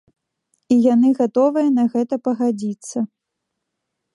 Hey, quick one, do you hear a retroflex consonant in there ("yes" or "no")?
no